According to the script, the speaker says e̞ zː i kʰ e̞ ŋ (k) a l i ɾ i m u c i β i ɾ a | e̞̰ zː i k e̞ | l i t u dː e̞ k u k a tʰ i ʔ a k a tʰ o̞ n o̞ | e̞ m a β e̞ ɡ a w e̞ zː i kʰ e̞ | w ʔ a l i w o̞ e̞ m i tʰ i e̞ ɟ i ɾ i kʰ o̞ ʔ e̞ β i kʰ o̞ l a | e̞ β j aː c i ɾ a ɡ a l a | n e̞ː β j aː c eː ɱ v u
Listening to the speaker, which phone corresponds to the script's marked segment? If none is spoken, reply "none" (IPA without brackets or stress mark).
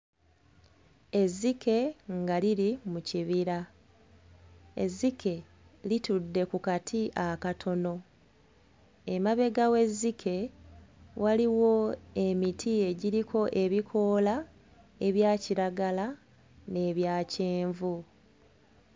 ɡ